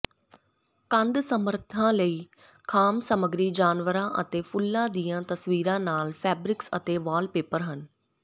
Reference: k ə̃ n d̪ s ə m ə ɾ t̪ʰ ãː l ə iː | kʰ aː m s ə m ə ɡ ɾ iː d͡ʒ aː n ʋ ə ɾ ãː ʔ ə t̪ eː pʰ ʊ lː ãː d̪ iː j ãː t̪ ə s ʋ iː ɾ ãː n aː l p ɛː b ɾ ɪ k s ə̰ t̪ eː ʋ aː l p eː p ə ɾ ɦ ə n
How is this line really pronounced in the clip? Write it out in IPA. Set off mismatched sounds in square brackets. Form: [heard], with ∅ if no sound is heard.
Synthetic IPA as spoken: k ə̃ n d̪ s ə m ə ɾ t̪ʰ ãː l ə iː | kʰ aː m s ə m ə ɡ ɾ iː d͡ʒ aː n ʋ ə ɾ ãː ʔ ə t̪ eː pʰ ʊ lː ãː d̪ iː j ãː t̪ ə s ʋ iː ɾ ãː n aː l [pʰ] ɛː b ɾ ɪ k s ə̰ t̪ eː ʋ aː l p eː p ə ɾ ɦ ə n